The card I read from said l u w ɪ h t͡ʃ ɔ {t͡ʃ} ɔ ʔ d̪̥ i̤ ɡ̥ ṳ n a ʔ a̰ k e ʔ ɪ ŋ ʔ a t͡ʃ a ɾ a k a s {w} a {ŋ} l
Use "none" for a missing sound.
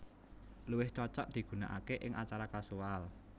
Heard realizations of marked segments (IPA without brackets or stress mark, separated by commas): t͡ʃ, u, none